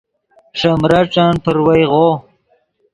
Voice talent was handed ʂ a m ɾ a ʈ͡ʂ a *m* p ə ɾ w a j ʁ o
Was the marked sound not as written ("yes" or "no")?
yes